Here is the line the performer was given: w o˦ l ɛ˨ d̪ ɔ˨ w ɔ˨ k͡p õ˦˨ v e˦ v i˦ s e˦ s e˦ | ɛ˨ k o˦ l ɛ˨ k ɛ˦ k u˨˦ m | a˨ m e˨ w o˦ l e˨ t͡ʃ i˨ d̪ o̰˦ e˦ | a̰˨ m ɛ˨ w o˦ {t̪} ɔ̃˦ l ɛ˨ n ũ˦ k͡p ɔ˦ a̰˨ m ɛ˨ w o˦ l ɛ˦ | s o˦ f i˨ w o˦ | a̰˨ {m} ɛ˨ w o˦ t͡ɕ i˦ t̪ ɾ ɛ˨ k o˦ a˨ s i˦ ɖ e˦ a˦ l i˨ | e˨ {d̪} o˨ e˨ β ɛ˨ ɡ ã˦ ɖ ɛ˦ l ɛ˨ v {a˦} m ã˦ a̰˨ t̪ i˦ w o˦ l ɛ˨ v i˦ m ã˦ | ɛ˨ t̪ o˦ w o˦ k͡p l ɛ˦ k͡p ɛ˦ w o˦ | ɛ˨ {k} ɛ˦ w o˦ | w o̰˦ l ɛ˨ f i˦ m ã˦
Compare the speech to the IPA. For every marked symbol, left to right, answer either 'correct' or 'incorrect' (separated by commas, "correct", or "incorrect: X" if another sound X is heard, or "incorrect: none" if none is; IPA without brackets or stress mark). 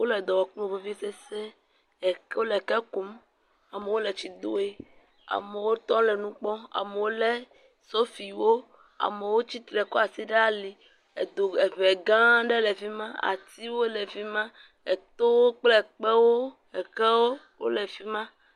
correct, correct, correct, incorrect: i˦, correct